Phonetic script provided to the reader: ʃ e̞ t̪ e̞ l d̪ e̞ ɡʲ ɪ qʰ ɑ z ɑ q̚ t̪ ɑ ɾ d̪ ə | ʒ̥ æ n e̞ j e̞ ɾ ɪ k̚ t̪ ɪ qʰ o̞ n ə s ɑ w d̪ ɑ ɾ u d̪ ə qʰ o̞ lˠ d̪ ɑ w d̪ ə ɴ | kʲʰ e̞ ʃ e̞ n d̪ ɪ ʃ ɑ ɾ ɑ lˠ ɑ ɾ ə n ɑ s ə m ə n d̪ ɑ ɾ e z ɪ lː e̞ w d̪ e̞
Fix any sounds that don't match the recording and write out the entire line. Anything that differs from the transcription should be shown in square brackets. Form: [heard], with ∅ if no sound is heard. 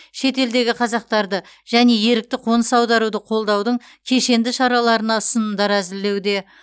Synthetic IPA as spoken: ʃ e̞ t̪ e̞ l d̪ e̞ ɡʲ ɪ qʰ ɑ z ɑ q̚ t̪ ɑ ɾ d̪ ə | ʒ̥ æ n e̞ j e̞ ɾ ɪ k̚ t̪ ɪ qʰ o̞ n ə s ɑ w d̪ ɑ ɾ u d̪ ə qʰ o̞ lˠ d̪ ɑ w d̪ ə ɴ | kʲʰ e̞ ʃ e̞ n d̪ ɪ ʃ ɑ ɾ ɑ lˠ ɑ ɾ ə n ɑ s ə [n] ə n d̪ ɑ ɾ [æ] z ɪ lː e̞ w d̪ e̞